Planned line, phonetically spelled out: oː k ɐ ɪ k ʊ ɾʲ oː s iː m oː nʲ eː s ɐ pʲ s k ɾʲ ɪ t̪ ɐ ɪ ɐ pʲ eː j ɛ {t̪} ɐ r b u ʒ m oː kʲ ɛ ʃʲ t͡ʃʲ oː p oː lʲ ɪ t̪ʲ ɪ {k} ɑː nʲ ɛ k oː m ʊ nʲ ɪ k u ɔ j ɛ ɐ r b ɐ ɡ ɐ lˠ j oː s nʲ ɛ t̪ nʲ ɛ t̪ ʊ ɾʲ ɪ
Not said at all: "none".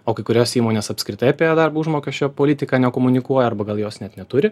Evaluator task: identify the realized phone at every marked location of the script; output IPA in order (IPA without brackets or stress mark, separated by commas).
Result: d̪, k